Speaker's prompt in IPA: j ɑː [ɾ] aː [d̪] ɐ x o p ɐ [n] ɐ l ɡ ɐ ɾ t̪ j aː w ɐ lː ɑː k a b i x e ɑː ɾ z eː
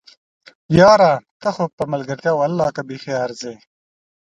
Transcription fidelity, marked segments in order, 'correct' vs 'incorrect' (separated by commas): correct, incorrect, incorrect